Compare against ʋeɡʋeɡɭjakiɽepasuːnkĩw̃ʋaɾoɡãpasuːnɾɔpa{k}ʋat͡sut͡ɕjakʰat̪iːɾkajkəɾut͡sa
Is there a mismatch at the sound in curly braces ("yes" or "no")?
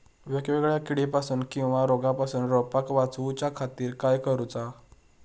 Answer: no